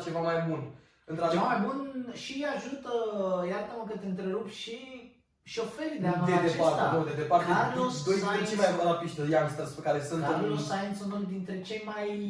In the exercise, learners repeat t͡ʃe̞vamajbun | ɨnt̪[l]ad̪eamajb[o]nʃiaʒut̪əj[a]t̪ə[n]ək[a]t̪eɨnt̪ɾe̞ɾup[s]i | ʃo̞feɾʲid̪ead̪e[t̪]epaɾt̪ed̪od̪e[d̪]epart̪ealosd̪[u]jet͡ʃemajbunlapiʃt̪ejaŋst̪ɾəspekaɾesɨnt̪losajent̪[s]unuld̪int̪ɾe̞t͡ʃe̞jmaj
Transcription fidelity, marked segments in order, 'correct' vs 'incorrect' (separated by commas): incorrect, incorrect, correct, incorrect, incorrect, incorrect, incorrect, correct, incorrect, correct